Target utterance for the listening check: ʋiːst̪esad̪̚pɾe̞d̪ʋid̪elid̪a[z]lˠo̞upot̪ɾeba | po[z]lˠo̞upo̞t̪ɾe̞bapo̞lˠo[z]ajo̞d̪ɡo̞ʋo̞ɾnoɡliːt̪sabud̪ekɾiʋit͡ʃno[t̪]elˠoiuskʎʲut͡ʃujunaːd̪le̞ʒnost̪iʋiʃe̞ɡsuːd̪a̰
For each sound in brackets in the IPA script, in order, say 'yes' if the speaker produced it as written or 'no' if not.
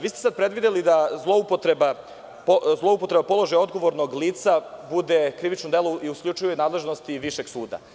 yes, yes, no, no

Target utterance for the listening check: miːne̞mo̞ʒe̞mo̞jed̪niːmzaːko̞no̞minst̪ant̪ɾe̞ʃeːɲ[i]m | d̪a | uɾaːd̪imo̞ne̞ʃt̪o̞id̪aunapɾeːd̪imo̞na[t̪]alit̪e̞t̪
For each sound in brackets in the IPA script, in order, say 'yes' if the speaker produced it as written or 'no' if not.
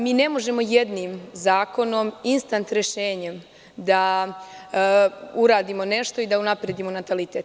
no, yes

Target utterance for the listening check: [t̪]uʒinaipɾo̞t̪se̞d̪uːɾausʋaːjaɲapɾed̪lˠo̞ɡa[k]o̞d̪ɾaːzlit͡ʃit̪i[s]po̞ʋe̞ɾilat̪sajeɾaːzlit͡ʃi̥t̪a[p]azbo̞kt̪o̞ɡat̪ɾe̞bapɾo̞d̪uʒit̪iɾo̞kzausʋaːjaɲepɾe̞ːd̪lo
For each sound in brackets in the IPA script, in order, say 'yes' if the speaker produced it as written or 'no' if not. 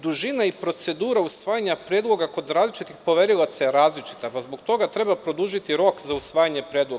no, yes, no, yes

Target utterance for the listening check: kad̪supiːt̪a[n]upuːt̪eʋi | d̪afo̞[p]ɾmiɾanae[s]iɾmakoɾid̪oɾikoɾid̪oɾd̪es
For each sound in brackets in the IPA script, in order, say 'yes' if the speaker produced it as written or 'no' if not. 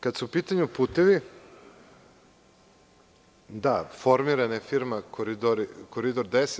no, no, no

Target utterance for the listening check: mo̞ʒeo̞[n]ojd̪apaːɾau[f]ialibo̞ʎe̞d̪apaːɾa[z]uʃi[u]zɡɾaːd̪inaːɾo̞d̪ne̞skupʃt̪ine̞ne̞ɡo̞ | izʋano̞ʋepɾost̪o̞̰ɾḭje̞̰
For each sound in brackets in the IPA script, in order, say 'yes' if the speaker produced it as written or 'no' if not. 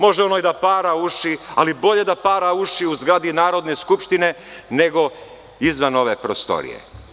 yes, no, no, yes

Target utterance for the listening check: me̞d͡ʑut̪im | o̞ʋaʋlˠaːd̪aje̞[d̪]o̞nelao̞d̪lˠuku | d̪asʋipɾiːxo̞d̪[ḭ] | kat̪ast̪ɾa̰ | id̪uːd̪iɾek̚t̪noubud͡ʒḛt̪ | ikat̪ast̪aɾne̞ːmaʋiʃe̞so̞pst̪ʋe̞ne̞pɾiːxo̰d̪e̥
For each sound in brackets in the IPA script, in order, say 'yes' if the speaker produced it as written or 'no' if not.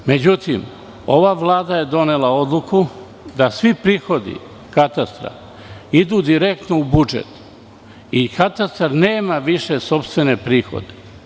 yes, yes

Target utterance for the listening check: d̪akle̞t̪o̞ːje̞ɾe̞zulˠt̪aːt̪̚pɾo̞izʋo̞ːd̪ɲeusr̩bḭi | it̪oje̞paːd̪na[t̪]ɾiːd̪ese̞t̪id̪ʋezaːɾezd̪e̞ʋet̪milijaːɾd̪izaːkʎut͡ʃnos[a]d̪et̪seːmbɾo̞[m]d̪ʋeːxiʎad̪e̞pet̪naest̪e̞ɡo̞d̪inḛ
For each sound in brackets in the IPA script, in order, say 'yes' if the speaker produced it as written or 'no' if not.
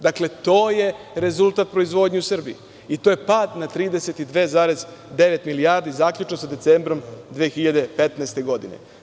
yes, yes, yes

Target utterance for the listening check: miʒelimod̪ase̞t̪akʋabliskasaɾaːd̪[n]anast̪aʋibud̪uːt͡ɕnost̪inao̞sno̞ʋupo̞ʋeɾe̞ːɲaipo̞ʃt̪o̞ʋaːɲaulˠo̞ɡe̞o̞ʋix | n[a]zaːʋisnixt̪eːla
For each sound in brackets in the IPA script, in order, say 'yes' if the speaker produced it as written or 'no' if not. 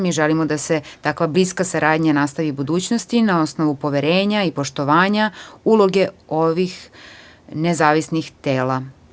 no, no

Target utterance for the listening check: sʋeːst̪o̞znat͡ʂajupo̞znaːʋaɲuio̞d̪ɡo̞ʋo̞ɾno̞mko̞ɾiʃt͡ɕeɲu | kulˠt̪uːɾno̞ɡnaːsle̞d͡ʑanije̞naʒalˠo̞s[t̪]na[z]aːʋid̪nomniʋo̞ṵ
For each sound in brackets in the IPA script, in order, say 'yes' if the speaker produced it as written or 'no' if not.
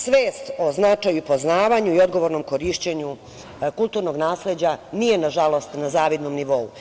yes, yes

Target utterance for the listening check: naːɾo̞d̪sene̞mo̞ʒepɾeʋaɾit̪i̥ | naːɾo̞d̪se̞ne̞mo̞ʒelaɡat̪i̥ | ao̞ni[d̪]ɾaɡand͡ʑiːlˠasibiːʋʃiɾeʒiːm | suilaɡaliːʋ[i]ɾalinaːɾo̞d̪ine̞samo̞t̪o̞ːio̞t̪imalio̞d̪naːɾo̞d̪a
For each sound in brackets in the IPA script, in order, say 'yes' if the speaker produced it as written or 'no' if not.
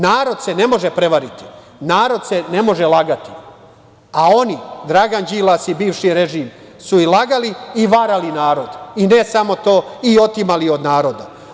yes, no

